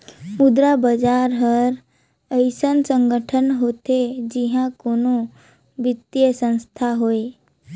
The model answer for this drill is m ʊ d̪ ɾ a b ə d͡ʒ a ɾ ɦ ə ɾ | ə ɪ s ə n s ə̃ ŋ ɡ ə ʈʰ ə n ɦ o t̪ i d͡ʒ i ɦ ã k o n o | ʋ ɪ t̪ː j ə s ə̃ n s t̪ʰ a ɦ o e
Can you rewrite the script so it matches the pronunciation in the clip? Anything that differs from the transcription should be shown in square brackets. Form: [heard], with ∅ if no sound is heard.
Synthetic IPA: m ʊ d̪ ɾ a b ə d͡ʒ a ɾ ɦ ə ɾ | ə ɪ s ə n s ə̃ ŋ ɡ ə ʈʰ ə n ɦ o t̪ [e] d͡ʒ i ɦ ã k o n o | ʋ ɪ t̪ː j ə s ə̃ n s t̪ʰ a ɦ o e

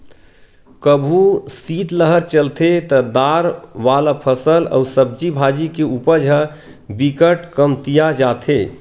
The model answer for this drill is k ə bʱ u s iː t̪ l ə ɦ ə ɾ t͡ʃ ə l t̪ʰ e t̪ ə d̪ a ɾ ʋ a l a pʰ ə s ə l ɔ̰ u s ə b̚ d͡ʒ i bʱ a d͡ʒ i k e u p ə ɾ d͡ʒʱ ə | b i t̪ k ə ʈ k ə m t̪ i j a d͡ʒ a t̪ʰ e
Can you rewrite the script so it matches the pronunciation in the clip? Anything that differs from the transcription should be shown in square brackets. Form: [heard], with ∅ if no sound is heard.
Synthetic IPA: k ə bʱ u s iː t̪ l ə ɦ ə ɾ t͡ʃ ə l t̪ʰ e t̪ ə d̪ a ɾ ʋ a l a pʰ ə s ə l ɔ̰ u s ə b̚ d͡ʒ i bʱ a d͡ʒ i k e u p ə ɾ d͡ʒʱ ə | b i [∅] k ə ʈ k ə m t̪ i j a d͡ʒ a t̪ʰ e

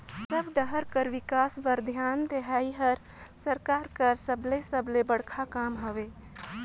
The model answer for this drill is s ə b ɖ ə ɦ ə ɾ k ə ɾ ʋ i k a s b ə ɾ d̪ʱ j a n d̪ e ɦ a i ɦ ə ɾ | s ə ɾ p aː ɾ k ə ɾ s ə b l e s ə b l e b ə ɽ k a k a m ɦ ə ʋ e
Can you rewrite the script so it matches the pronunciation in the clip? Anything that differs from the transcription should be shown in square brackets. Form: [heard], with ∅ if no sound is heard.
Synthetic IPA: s ə b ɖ ə ɦ ə ɾ k ə ɾ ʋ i k a s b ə ɾ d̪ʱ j a n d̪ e ɦ a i ɦ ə ɾ | s ə ɾ [k] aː ɾ k ə ɾ s ə b l e s ə b l e b ə ɽ [kʰ] a k a m ɦ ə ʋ e

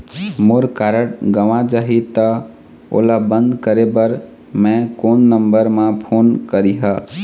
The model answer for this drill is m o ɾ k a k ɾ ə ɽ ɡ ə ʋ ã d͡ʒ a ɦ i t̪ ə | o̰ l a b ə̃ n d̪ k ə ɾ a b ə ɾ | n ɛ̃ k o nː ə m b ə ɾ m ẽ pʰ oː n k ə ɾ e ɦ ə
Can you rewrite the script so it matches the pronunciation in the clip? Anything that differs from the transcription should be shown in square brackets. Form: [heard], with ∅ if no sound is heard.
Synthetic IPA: m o ɾ k a [∅] ɾ ə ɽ ɡ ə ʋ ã d͡ʒ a ɦ i t̪ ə | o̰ l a b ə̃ n d̪ k ə ɾ [e] b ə ɾ | [m] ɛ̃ k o nː ə m b ə ɾ m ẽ pʰ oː n k ə ɾ [i] ɦ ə

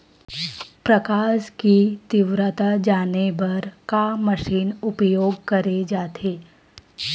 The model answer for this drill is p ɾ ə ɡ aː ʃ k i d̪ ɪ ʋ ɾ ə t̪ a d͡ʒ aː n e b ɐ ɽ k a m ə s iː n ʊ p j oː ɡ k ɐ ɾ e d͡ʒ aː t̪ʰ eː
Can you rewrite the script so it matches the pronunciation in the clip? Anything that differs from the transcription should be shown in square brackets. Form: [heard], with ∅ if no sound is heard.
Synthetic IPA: p ɾ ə [k] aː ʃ k i [t̪] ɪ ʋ ɾ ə t̪ a d͡ʒ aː n e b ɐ [ɾ] k a m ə [ʃ] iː n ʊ p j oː ɡ k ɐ ɾ e d͡ʒ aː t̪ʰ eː

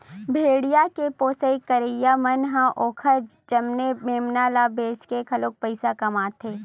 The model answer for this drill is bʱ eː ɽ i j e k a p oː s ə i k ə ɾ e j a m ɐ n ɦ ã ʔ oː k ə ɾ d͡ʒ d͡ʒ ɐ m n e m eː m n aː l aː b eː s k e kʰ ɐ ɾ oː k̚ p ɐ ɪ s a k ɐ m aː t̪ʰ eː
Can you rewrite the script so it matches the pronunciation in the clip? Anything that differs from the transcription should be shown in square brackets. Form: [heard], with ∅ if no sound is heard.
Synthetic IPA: bʱ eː ɽ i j [a] k [e] p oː s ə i k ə ɾ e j a m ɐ n ɦ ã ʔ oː [kʰ] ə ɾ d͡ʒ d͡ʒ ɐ m n e m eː m n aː l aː b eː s k e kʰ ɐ [l] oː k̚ p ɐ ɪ s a k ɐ m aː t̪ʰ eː

